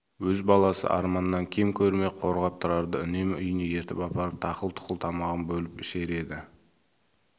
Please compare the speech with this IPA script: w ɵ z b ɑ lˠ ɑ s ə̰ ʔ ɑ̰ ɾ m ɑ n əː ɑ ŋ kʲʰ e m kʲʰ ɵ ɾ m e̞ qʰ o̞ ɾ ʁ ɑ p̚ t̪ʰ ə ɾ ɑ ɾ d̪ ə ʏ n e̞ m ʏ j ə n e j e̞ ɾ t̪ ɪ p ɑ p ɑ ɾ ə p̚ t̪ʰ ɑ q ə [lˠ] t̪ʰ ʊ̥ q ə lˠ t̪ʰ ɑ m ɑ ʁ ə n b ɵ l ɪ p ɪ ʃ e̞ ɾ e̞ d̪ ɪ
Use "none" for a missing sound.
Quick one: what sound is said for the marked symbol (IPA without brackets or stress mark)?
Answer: lˠ